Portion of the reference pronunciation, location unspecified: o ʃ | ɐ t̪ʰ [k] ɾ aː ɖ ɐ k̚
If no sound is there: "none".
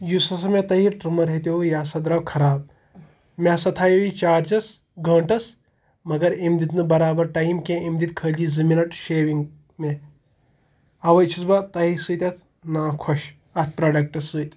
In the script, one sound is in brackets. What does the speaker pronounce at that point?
p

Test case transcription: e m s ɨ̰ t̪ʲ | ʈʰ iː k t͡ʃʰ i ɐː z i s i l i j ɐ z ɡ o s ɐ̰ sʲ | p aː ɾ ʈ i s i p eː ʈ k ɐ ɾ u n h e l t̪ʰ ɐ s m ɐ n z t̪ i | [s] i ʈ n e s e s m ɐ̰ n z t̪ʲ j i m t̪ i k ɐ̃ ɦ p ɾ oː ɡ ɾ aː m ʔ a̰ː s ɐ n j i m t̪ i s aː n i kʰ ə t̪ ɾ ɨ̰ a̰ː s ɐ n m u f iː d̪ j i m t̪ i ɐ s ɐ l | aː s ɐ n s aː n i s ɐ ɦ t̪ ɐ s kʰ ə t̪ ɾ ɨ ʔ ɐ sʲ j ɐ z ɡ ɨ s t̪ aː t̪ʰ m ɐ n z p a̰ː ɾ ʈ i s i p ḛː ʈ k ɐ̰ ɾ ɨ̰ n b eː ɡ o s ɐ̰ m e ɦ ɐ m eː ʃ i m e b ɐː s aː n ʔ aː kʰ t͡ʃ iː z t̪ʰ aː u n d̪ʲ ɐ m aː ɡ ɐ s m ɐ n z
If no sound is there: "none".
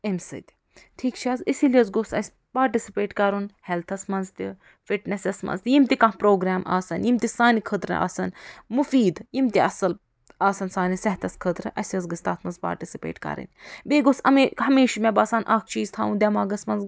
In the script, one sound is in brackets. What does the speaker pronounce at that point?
f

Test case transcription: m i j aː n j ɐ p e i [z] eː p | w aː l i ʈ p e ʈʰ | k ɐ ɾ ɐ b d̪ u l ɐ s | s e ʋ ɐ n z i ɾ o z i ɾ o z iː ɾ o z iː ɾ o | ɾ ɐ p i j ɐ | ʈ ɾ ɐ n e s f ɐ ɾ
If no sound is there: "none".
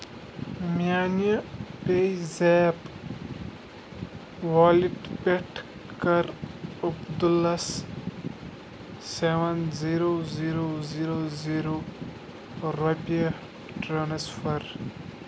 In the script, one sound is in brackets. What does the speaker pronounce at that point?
z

